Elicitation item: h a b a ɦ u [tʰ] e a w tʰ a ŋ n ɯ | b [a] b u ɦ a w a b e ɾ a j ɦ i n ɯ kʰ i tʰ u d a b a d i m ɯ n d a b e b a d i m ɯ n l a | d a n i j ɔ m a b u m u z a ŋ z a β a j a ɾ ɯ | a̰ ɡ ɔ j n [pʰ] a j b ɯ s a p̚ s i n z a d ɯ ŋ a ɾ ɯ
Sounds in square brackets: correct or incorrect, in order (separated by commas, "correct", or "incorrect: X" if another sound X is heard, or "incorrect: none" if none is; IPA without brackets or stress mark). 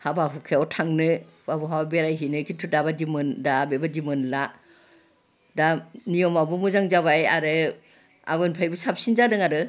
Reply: incorrect: kʰ, correct, correct